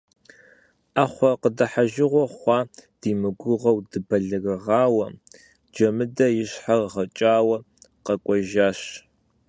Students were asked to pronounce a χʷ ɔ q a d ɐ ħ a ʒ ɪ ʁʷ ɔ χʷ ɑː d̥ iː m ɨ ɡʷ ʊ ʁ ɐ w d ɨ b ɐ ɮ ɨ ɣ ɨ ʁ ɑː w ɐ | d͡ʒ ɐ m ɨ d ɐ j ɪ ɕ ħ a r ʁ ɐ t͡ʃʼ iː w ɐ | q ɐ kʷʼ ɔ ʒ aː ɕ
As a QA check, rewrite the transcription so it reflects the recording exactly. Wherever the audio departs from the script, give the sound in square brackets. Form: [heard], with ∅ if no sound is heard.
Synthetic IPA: a χʷ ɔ q [ə] d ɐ ħ a ʒ ɪ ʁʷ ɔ χʷ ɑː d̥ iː m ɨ ɡʷ ʊ ʁ ɐ w d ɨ b ɐ ɮ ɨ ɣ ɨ ʁ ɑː w ɐ | d͡ʒ ɐ m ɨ d ɐ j ɪ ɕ ħ a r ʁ ɐ t͡ʃʼ [aː] w ɐ | q ɐ kʷʼ ɔ ʒ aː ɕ